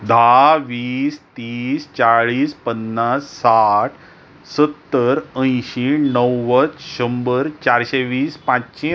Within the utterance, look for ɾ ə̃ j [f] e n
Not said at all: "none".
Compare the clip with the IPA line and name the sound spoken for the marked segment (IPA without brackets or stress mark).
ɕ